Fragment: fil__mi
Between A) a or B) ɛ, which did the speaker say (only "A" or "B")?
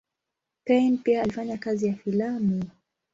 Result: A